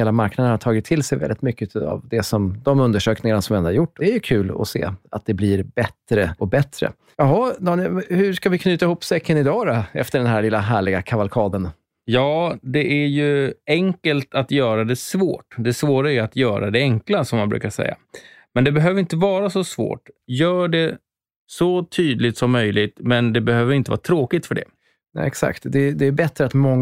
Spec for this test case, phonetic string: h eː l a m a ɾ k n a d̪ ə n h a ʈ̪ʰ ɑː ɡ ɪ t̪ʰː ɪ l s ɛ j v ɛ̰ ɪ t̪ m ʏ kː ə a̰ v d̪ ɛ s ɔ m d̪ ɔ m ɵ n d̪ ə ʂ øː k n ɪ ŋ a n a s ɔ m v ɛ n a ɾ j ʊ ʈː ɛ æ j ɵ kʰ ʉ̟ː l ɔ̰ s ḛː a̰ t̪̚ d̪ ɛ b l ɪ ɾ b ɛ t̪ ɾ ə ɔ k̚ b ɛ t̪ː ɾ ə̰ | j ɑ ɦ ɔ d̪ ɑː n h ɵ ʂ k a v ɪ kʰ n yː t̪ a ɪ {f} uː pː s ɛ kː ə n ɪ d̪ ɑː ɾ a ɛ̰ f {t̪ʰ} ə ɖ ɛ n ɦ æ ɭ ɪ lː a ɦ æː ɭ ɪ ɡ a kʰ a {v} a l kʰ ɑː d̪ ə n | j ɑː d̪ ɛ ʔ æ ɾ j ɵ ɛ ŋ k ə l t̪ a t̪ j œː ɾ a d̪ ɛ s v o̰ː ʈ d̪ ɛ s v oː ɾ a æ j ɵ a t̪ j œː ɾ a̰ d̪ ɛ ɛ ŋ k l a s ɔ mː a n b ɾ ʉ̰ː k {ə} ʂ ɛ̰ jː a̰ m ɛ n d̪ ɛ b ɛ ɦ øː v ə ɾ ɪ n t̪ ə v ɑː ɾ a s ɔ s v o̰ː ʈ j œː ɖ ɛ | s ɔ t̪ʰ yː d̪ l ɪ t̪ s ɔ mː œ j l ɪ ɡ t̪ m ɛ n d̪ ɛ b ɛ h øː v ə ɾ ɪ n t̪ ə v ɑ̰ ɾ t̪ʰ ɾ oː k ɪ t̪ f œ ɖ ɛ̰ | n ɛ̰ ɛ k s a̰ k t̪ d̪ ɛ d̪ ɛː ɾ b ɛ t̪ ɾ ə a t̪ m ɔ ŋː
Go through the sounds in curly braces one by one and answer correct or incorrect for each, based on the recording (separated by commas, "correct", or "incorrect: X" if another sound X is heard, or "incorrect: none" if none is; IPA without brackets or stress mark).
incorrect: h, incorrect: t̪, correct, incorrect: a